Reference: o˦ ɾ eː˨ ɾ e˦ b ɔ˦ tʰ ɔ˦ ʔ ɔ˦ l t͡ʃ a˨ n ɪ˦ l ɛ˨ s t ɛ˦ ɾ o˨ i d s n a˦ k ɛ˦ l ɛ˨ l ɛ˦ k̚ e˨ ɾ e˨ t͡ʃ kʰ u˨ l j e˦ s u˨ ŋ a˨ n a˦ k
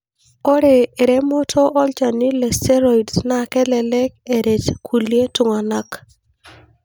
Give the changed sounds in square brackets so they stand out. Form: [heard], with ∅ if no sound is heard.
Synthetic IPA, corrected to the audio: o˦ ɾ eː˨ ɾ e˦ [m] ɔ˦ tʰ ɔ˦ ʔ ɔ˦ l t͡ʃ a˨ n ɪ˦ l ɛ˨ s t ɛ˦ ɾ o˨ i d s n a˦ k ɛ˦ l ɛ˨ l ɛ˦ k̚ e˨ ɾ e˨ t͡ʃ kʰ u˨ l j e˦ [t] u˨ ŋ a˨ n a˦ k